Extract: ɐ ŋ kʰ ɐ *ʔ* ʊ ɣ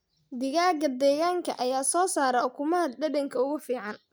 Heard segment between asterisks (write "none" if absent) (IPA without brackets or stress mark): none